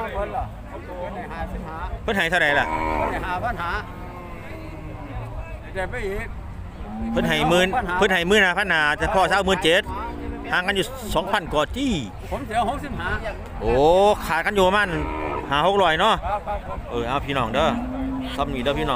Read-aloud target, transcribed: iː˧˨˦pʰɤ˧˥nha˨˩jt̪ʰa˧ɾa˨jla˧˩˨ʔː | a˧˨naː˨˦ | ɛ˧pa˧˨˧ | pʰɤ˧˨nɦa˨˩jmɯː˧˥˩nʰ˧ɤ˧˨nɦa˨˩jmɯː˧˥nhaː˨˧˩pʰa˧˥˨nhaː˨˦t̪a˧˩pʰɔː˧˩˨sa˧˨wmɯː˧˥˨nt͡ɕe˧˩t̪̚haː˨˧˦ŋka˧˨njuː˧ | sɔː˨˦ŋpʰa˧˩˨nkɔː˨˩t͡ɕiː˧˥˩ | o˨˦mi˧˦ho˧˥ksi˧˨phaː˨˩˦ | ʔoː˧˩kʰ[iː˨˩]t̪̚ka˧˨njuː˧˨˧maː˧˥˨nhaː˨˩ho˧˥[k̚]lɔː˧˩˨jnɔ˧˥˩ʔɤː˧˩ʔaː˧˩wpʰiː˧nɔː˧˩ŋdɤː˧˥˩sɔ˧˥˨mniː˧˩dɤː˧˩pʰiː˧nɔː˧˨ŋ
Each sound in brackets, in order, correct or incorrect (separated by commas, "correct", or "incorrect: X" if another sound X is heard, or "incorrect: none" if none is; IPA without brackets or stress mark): incorrect: aː˨˩, correct